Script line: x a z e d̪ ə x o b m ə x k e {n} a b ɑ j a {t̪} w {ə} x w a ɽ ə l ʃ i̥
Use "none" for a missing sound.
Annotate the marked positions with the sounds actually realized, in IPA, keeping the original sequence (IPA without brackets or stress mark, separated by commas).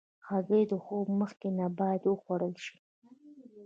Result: n, d̪, ə